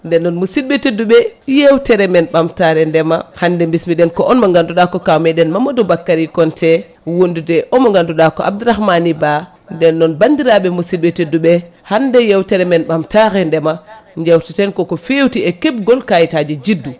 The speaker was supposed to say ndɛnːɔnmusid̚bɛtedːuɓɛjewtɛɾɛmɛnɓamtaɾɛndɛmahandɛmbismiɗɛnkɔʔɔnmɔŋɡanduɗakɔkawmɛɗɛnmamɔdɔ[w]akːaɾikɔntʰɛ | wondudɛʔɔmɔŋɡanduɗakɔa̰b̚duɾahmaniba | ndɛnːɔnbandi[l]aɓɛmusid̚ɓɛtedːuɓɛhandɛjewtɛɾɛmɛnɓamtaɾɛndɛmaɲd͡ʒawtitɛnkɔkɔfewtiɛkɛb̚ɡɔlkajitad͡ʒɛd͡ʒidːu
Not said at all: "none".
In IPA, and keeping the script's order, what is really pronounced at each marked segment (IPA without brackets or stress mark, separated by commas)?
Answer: b, ɾ